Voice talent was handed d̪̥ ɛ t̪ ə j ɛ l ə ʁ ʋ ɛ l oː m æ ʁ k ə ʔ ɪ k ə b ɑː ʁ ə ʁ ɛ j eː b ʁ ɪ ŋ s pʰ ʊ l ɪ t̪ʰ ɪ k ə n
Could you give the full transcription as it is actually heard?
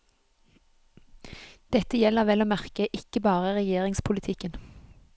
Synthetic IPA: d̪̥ ɛ t̪ ə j ɛ l ə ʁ ʋ ɛ l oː m æ ʁ k ə ʔ ɪ k ə b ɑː ʁ ə ʁ ɛ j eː ʁ ɪ ŋ s pʰ ʊ l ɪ t̪ʰ ɪ k ə n